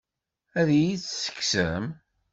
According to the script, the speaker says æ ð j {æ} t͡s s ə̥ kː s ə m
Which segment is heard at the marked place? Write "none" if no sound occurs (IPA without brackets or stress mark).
i